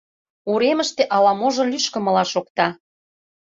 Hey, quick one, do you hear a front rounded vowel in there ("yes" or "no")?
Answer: yes